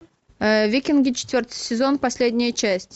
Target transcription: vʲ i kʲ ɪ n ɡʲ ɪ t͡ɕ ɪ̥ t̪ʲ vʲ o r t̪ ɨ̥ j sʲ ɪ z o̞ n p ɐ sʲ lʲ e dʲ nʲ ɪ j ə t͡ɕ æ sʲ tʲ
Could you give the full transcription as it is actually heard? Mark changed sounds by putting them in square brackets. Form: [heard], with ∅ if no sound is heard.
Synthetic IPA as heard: vʲ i kʲ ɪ n ɡʲ ɪ t͡ɕ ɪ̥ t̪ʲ vʲ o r t̪ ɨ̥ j sʲ ɪ z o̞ n p ɐ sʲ lʲ e dʲ nʲ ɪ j ə t͡ɕ æ sʲ tʲ